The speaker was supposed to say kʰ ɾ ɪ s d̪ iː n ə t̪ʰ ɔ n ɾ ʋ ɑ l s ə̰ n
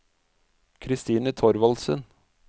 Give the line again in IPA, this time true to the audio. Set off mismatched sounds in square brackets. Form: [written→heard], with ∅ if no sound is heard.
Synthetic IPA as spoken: kʰ ɾ ɪ s [d̪→t̪] iː n ə t̪ʰ ɔ [n→∅] ɾ ʋ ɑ l s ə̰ n